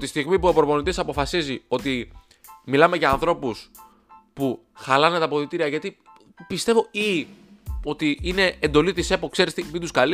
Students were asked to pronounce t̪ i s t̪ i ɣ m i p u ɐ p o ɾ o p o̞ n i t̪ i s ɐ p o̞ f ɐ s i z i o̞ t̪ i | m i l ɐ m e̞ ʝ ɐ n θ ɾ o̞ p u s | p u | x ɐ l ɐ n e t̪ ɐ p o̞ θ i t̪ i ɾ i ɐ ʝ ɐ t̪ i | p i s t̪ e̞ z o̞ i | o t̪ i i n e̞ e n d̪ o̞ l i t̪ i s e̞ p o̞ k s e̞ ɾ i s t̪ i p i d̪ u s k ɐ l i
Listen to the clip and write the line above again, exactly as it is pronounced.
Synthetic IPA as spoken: t̪ i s t̪ i ɣ m i p u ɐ p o ɾ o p o̞ n i t̪ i s ɐ p o̞ f ɐ s i z i o̞ t̪ i | m i l ɐ m e̞ ʝ ɐː n θ ɾ o̞ p u s | p u | x ɐ l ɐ n e t̪ ɐ p o̞ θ i t̪ i ɾ i ɐ ʝ ɐ t̪ i | p i s t̪ e̞ v o̞ i | o t̪ i i n e̞ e n d̪ o̞ l i t̪ i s e̞ p o̞ k s e̞ ɾ i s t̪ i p i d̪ u s k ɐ l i